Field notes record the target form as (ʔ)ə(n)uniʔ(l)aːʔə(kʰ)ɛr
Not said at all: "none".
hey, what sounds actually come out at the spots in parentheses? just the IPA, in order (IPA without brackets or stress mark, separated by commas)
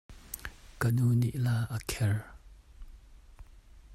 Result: k, n, l, kʰ